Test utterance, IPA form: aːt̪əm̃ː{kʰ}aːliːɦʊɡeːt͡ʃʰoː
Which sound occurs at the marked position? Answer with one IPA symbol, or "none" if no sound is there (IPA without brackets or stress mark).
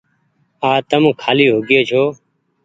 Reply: kʰ